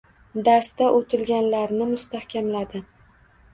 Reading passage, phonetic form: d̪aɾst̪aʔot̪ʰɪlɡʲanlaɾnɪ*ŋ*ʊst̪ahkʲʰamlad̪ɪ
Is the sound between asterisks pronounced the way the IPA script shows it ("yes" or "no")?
no